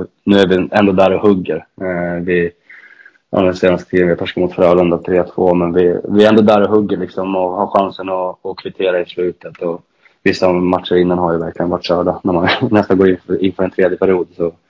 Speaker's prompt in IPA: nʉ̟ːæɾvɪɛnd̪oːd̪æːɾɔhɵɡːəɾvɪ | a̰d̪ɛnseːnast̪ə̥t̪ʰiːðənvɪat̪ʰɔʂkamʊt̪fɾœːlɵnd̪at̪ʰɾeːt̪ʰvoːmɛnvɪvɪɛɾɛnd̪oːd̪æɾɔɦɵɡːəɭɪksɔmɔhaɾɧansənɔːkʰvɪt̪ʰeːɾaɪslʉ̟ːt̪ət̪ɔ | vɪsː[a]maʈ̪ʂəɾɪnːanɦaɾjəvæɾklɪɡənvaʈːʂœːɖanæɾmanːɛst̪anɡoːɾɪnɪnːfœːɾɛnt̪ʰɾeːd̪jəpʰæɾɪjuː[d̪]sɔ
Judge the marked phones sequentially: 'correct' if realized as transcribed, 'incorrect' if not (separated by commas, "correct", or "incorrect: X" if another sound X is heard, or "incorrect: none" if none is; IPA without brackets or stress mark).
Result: correct, correct